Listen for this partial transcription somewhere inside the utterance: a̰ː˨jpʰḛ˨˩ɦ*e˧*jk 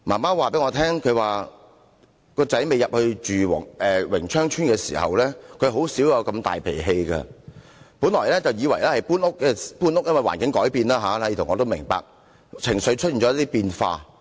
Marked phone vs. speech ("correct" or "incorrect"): correct